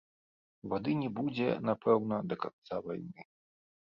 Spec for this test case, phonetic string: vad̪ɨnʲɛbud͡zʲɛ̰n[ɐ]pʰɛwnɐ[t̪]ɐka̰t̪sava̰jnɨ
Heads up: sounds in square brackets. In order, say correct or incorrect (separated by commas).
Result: incorrect, incorrect